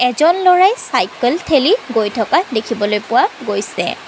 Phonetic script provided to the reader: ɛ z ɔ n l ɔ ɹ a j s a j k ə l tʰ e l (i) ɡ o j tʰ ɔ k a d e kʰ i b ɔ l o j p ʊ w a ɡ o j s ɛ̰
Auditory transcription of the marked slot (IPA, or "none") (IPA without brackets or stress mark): i